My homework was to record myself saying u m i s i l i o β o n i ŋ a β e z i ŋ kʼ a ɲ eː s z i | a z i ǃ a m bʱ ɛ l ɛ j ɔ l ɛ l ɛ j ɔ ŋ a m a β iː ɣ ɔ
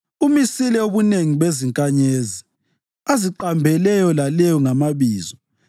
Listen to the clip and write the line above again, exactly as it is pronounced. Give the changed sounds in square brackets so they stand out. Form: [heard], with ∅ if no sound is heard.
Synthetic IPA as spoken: u m i s i l [ɛ] o β [u] n [e] ŋ [i] β e z i ŋ kʼ a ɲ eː [∅] z i | a z i ǃ a m bʱ ɛ l ɛ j ɔ l [a] l ɛ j ɔ ŋ a m a β iː [z] ɔ